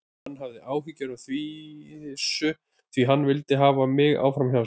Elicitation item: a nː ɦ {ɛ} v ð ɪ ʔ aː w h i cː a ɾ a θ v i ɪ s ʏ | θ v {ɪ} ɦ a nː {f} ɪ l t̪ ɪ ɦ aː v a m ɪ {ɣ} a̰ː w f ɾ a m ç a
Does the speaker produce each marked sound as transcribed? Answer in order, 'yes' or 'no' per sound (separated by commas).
no, no, no, yes